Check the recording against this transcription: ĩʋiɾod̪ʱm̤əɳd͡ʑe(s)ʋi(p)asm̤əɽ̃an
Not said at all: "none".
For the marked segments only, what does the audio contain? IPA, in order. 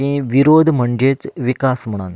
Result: t͡s, k

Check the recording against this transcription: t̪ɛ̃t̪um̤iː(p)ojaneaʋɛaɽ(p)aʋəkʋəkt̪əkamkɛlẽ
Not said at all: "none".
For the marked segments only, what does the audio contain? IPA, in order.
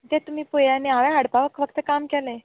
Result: p, p

